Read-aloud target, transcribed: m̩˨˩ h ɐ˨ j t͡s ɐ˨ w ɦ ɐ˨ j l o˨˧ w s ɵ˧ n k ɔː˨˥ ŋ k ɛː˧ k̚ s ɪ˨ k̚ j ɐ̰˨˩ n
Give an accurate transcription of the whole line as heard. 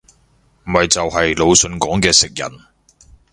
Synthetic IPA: m̩˨˩ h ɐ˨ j t͡s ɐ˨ w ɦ ɐ˨ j l o˨˧ w s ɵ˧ n k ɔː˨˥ ŋ k ɛː˧ s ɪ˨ k̚ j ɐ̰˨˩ n